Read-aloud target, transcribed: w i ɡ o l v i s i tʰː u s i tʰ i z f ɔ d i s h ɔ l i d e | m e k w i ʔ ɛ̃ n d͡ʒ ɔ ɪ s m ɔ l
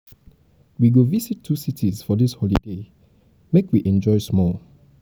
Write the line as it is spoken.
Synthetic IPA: w i ɡ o v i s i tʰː u s i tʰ i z f ɔ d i s h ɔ l i d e | m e k w i ʔ ɛ̃ n d͡ʒ ɔ ɪ s m ɔ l